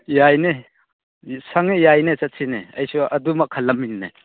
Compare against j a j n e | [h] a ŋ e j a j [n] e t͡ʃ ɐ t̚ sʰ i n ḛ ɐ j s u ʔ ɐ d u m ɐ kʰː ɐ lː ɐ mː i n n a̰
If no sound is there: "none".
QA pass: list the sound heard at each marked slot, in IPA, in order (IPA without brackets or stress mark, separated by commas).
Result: s, n